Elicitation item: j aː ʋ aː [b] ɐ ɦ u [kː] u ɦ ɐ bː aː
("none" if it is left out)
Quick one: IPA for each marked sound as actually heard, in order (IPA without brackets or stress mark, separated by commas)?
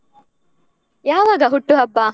ɡ, ʈː